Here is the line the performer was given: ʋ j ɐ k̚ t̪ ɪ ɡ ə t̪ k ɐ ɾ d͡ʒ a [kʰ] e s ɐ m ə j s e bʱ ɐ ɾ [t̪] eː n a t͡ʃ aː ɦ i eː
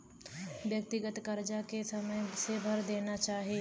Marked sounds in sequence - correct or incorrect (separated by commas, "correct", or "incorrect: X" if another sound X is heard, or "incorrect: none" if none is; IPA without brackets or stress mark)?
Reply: incorrect: k, incorrect: d̪